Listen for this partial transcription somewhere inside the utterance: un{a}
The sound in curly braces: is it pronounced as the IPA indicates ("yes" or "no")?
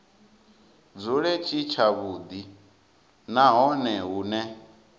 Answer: no